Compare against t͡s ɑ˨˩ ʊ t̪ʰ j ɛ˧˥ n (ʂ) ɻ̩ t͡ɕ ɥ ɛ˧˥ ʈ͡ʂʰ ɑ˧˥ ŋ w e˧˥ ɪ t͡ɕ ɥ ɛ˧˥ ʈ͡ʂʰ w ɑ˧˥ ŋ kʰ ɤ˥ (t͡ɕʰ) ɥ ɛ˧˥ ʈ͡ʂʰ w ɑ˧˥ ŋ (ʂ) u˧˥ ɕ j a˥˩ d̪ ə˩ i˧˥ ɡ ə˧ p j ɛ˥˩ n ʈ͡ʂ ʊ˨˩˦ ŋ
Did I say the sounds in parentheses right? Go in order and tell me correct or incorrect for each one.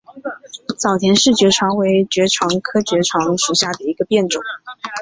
correct, incorrect, correct

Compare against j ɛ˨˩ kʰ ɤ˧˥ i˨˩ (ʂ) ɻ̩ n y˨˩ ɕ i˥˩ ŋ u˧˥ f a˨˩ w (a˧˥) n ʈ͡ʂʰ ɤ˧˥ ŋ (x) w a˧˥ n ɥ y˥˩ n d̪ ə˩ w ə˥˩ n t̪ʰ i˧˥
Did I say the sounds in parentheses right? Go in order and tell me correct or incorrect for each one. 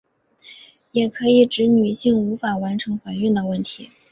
incorrect, correct, correct

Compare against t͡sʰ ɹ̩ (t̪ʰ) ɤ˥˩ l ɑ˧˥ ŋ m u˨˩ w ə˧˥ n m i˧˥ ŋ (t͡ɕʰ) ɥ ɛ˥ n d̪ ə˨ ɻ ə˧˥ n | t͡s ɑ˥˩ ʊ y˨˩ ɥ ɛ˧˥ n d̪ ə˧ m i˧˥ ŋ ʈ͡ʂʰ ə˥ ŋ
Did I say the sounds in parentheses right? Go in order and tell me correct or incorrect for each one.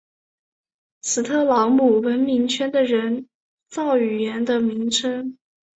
correct, correct

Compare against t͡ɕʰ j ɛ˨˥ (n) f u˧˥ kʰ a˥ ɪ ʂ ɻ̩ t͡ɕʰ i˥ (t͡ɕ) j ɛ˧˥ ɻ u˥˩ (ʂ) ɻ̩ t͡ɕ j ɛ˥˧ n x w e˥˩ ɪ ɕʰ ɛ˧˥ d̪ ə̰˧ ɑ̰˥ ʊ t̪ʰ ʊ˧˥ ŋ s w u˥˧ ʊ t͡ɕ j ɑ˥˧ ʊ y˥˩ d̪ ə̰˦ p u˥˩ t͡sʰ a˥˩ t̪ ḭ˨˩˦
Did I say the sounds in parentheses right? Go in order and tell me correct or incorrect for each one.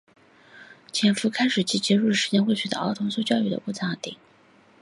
correct, correct, correct

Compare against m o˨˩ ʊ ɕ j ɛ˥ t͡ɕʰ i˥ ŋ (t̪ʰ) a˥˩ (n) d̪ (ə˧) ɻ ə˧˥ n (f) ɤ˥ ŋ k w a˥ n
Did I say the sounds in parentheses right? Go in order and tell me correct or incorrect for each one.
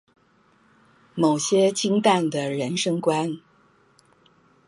incorrect, correct, incorrect, incorrect

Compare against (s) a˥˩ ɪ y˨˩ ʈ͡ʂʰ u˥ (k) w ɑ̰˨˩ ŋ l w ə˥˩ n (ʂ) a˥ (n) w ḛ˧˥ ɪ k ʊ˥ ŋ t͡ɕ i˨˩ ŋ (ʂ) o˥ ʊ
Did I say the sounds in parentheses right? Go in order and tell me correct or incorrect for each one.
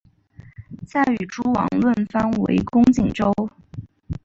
incorrect, incorrect, incorrect, correct, incorrect

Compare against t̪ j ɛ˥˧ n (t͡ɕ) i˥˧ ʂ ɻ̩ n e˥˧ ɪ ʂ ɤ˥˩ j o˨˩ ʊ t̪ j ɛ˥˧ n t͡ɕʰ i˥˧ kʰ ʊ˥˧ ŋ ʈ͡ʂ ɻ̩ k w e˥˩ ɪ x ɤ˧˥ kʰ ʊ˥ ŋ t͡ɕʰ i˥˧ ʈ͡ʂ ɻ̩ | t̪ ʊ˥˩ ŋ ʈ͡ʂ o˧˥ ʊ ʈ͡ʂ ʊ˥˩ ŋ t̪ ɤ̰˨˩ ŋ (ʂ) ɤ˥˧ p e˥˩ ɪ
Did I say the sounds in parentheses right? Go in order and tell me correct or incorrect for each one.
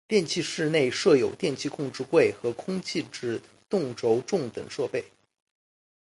incorrect, correct

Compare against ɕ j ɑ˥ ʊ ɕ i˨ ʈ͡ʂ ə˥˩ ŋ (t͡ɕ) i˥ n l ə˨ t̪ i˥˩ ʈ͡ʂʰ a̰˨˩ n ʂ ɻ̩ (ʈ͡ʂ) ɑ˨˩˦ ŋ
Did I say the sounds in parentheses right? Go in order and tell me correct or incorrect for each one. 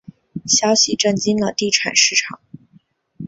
correct, incorrect

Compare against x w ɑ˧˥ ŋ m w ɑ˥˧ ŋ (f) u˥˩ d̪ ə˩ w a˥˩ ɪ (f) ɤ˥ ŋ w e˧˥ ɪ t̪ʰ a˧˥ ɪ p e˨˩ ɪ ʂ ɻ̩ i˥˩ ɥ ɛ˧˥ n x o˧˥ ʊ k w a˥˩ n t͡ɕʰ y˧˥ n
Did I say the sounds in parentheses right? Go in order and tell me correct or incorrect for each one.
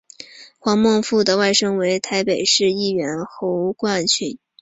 correct, incorrect

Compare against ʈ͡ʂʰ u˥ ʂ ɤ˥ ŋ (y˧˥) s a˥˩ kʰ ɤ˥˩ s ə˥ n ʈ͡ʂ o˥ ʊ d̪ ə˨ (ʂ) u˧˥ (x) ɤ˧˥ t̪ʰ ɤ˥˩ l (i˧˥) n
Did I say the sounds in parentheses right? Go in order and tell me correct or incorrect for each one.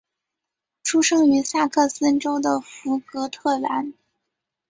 correct, incorrect, incorrect, incorrect

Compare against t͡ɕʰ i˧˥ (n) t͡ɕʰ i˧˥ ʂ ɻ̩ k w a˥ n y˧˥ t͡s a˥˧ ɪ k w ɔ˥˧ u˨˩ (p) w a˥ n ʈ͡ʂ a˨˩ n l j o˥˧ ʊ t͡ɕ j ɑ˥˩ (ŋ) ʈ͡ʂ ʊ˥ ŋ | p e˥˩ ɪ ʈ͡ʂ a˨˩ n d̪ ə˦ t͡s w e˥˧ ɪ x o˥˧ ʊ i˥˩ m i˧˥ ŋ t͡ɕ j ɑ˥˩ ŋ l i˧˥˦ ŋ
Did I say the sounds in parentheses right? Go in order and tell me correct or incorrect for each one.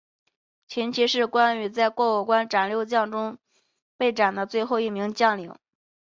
correct, incorrect, correct

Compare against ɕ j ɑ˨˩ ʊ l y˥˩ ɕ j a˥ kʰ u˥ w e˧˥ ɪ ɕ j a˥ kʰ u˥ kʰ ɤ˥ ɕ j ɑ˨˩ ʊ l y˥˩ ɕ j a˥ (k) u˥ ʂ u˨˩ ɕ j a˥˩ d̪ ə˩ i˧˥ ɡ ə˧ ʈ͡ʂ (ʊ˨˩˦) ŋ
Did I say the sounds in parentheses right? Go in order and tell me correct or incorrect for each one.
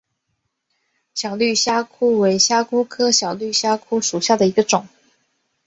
incorrect, correct

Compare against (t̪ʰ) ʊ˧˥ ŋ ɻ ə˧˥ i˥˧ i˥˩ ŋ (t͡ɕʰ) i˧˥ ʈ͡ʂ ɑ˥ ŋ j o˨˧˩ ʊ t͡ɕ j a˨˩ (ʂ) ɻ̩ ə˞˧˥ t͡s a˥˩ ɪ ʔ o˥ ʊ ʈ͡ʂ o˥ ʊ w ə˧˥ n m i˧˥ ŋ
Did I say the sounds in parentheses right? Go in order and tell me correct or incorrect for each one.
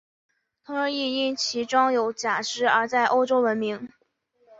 correct, correct, correct

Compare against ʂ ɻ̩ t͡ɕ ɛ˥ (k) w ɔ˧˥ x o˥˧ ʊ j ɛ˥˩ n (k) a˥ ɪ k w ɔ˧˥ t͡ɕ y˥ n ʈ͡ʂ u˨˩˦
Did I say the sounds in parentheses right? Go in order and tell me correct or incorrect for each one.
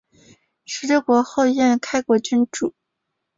correct, incorrect

